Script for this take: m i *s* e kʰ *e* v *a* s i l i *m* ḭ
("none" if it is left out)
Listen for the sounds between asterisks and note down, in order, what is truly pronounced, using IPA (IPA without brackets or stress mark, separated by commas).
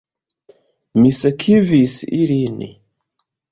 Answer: s, i, i, n